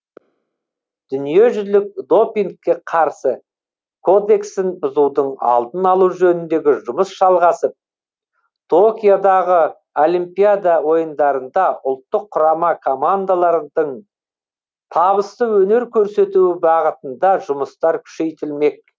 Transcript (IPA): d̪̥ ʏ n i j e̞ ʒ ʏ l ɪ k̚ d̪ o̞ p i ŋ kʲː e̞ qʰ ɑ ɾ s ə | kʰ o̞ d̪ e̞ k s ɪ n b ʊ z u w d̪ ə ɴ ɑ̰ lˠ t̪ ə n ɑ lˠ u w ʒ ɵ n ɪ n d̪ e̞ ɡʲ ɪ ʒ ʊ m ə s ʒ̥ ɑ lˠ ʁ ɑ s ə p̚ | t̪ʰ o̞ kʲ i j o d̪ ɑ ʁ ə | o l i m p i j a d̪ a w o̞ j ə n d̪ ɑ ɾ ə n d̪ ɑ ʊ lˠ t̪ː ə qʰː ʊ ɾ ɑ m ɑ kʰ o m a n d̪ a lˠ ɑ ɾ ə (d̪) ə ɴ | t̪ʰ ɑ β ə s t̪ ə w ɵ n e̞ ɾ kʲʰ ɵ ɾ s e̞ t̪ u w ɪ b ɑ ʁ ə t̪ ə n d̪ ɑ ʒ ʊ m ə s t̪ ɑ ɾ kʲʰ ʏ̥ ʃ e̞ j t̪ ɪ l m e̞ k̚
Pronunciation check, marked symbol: correct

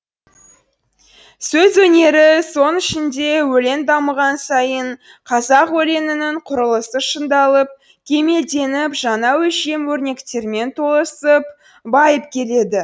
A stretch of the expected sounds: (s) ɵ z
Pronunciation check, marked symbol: correct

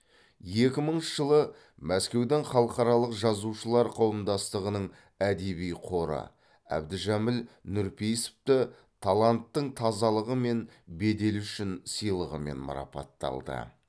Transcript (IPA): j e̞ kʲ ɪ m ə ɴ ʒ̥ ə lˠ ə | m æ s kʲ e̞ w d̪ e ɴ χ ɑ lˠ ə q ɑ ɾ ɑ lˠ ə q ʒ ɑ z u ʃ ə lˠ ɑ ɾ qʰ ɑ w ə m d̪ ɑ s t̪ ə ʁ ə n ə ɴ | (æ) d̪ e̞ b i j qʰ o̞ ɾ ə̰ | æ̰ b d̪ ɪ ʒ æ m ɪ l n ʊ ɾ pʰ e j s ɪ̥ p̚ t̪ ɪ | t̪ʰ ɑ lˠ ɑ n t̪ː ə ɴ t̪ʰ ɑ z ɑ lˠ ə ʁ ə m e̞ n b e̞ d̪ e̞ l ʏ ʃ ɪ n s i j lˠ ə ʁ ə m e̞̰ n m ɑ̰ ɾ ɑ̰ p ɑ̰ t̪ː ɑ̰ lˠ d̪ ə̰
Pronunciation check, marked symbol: correct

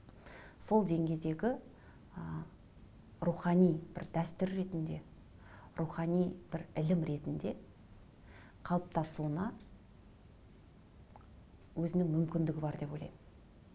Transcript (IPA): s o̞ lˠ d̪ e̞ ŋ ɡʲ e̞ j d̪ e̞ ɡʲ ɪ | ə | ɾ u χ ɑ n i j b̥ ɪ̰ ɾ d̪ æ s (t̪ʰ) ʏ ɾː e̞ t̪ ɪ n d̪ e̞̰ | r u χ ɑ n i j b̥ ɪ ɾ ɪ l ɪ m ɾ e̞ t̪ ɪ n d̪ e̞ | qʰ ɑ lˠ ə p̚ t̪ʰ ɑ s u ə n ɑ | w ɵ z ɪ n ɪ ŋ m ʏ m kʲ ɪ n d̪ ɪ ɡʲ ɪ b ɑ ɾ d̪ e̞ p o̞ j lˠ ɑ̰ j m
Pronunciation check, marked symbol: incorrect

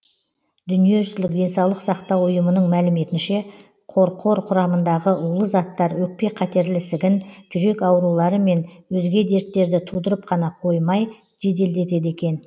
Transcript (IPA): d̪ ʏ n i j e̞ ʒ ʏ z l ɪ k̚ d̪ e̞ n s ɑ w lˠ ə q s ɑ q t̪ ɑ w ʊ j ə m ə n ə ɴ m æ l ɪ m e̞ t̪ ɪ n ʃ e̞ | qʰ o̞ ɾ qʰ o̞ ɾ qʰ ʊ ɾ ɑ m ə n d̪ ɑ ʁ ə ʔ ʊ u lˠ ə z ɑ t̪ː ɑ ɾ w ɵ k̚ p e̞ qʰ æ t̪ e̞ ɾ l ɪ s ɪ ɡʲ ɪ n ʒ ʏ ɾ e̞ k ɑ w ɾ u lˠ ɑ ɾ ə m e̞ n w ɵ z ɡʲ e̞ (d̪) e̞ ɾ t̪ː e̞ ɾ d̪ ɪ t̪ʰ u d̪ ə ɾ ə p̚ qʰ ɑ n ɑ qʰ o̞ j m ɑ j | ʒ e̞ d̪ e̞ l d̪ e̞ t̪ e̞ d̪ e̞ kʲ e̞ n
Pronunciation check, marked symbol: correct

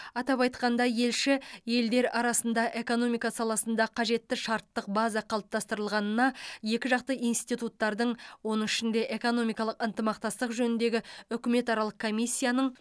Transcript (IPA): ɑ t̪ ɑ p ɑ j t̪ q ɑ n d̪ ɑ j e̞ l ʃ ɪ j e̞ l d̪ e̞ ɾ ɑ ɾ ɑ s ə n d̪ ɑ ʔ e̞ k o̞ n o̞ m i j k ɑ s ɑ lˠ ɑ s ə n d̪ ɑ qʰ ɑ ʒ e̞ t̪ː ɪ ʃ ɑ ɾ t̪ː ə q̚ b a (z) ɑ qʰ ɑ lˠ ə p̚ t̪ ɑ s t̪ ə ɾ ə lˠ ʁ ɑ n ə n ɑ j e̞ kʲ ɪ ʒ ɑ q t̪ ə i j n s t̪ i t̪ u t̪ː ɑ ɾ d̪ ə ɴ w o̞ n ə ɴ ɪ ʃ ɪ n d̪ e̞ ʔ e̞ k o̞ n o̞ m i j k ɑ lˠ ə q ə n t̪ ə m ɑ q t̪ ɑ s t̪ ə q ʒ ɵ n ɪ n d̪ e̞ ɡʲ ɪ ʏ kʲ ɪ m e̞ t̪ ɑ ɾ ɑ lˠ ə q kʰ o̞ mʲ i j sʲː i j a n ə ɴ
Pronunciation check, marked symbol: correct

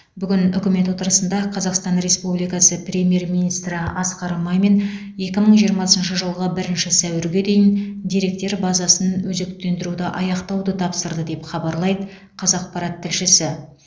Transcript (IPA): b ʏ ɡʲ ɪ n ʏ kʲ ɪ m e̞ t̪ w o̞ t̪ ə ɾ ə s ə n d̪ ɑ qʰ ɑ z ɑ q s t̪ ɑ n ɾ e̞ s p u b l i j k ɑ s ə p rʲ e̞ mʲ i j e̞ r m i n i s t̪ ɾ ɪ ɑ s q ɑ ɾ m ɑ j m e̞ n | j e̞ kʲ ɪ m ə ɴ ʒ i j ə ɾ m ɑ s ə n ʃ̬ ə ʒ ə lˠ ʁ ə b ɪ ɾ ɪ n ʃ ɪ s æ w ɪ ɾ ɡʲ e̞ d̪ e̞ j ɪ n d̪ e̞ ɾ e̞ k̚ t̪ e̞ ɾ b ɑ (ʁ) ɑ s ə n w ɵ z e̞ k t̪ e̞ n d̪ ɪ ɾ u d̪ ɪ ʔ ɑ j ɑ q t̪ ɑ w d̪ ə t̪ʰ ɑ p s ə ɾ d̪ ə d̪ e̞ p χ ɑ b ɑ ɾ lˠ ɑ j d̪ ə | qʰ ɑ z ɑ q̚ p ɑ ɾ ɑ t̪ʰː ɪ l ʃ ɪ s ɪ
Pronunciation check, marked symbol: incorrect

